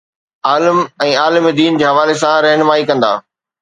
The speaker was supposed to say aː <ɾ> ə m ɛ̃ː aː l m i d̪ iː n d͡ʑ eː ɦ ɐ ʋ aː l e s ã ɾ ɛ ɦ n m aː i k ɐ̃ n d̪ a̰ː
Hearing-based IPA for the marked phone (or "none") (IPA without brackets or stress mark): l